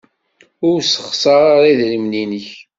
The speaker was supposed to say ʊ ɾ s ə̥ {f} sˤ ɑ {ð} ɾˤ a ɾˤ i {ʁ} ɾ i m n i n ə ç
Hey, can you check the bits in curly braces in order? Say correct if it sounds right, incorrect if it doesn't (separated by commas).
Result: incorrect, incorrect, incorrect